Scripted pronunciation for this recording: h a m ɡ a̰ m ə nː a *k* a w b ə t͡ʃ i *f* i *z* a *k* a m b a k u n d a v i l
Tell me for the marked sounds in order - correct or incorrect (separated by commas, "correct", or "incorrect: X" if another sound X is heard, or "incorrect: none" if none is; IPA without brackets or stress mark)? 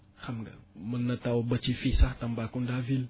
incorrect: t, correct, incorrect: s, incorrect: t